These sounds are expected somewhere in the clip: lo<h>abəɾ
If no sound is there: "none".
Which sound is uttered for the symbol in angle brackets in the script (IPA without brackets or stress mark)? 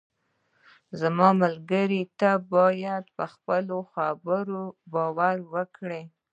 x